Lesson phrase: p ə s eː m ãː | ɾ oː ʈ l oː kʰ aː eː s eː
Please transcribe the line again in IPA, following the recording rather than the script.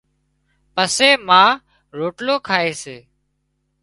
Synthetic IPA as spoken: p ə s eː m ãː | ɾ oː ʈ l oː kʰ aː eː s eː